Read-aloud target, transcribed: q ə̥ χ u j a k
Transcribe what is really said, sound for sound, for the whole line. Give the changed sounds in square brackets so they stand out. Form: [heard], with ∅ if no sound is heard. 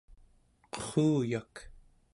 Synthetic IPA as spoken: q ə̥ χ [uː] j a k